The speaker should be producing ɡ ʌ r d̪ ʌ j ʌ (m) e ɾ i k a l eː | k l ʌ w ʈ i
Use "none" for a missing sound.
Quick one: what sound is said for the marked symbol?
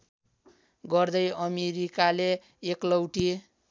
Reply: m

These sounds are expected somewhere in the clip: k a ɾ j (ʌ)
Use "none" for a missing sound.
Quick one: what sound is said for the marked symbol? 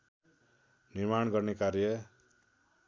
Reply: ʌ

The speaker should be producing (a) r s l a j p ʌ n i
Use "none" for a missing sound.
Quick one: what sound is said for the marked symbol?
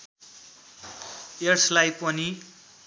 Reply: e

